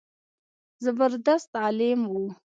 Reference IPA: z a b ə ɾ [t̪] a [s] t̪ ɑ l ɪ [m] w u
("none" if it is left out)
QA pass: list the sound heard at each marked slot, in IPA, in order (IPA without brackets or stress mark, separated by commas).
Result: d̪, s, m